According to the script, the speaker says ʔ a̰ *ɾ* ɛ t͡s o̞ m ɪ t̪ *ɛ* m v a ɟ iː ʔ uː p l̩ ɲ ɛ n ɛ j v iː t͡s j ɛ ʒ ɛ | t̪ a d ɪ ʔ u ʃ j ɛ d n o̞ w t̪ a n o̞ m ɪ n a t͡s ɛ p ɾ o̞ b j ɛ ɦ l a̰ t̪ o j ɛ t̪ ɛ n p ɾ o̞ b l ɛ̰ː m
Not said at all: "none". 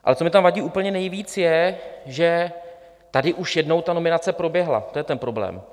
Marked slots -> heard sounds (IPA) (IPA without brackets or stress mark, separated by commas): l, a